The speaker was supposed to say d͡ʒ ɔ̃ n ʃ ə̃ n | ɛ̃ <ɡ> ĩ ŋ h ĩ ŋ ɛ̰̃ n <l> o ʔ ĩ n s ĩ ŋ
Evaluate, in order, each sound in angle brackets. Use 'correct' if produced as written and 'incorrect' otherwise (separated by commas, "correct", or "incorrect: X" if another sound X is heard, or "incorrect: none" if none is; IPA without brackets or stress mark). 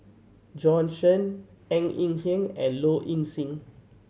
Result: incorrect: ŋ, correct